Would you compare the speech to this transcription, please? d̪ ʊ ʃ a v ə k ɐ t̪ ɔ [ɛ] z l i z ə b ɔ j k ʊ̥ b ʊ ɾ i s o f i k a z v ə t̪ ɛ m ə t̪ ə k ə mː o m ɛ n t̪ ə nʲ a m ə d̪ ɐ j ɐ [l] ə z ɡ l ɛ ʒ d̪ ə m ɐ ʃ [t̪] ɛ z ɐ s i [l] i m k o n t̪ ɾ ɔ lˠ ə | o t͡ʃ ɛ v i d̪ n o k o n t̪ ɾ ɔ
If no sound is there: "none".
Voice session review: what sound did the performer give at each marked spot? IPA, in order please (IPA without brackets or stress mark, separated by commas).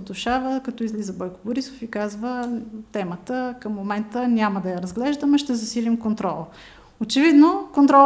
i, ɾ, t̪, l